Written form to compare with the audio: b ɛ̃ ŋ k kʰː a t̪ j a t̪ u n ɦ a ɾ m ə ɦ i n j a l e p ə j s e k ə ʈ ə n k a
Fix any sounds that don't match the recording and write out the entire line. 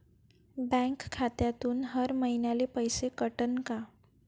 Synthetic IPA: b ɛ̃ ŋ k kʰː a t̪ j a t̪ uː n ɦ ə ɾ m ə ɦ i n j a l e p ə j s e k ə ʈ ə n k a